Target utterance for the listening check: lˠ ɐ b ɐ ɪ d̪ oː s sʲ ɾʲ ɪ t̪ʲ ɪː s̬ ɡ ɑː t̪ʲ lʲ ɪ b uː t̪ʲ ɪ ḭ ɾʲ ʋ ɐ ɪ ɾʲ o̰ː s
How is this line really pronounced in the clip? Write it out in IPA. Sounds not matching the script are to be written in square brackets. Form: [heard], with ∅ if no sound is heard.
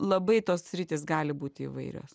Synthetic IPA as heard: lˠ ɐ b ɐ ɪ [t̪] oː s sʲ ɾʲ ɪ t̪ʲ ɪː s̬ ɡ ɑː [∅] lʲ ɪ b uː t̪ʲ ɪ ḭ [∅] ʋ ɐ ɪ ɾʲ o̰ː s